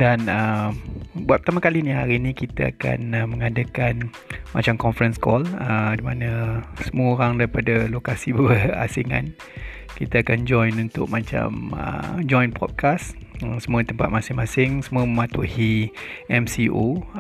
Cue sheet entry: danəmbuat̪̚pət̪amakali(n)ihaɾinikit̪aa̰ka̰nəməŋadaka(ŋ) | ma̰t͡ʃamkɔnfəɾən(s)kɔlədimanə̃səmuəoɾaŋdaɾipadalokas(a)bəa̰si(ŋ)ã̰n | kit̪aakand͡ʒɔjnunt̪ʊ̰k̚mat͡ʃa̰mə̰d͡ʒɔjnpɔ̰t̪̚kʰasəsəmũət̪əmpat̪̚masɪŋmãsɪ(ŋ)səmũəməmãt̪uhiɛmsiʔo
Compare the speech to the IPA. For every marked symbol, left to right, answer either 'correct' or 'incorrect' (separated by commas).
correct, incorrect, correct, incorrect, correct, correct